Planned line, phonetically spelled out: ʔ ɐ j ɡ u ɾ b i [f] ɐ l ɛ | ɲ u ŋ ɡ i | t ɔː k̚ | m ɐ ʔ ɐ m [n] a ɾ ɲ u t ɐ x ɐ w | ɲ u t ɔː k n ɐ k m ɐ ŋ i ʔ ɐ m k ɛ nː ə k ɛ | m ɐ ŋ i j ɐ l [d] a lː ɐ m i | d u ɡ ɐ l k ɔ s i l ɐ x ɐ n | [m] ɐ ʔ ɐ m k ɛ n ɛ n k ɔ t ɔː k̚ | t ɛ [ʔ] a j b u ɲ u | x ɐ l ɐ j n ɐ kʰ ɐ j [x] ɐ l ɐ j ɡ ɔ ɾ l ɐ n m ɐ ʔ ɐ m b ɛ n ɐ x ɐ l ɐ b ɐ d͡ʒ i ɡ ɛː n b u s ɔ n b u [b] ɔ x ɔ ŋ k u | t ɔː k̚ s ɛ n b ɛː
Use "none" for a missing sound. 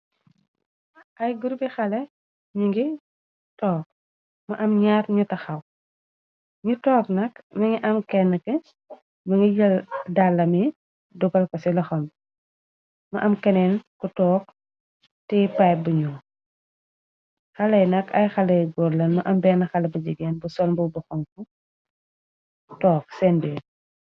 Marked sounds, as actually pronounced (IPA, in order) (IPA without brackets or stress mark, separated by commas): x, ɲ, d, m, p, x, b